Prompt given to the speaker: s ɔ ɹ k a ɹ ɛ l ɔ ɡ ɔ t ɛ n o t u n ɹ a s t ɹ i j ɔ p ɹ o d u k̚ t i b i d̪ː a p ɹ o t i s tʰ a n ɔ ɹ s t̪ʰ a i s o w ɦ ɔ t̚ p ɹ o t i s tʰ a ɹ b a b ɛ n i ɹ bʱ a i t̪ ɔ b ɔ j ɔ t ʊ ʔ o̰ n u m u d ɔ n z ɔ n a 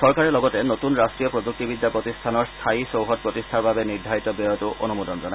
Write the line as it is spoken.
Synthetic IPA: s ɔ ɹ k a ɹ ɛ l ɔ ɡ ɔ t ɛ n o t u n ɹ a s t ɹ i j ɔ p ɹ o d u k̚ t i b i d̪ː a p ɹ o t i s tʰ a n ɔ ɹ s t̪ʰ a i s o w ɦ ɔ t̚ p ɹ o t i s tʰ a ɹ b a b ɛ n i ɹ dʱ a i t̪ ɔ b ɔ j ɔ t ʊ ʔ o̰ n u m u d ɔ n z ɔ n a